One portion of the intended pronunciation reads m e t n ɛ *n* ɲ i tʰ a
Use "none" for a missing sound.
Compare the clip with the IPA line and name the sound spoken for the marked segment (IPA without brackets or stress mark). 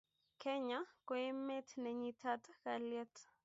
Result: none